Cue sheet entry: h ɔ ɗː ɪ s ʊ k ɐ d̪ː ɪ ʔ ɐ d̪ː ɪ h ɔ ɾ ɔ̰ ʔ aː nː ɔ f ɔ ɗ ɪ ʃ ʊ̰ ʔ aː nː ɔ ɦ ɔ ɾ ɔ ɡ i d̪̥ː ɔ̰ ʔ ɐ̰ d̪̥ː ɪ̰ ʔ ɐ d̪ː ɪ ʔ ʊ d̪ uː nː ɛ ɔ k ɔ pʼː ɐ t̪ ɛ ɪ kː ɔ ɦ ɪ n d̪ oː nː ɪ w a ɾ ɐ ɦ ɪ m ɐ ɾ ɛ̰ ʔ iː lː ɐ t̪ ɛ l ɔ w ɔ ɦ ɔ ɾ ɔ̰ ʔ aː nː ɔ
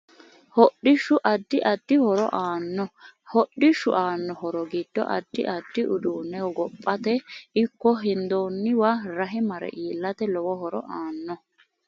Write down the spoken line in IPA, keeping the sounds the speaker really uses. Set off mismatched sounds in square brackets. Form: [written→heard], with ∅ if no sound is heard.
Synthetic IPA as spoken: h ɔ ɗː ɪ [s→ʃ] ʊ [k→ʔ] ɐ d̪ː ɪ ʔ ɐ d̪ː ɪ h ɔ ɾ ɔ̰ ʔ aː nː ɔ [f→h] ɔ ɗ ɪ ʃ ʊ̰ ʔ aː nː ɔ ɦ ɔ ɾ ɔ ɡ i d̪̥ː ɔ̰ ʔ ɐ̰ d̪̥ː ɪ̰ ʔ ɐ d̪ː ɪ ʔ ʊ d̪ uː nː ɛ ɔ [k→ɡ] ɔ pʼː ɐ t̪ ɛ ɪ kː ɔ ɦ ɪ n d̪ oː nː ɪ w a ɾ ɐ ɦ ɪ m ɐ ɾ ɛ̰ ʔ iː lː ɐ t̪ ɛ l ɔ w ɔ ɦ ɔ ɾ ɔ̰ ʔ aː nː ɔ